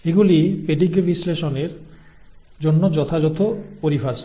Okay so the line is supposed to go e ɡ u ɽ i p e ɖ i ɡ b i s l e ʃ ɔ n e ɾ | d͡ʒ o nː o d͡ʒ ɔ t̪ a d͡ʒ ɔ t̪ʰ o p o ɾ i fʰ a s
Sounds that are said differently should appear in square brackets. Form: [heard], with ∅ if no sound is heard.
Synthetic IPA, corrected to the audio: e ɡ u [l] i p e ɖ i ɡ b i s l e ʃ ɔ n e ɾ | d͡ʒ o nː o d͡ʒ ɔ [t̪ʰ] a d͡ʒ ɔ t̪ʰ o p o ɾ i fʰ a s